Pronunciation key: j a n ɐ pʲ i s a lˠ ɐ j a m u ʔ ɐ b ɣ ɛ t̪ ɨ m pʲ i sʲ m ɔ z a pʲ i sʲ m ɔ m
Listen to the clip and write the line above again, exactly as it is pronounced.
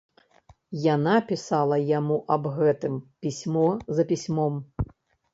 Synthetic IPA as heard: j a n a pʲ i s a lˠ ɐ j a m u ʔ ɐ b ɣ ɛ t̪ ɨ m pʲ i sʲ m ɔ z ɐ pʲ i sʲ m ɔ m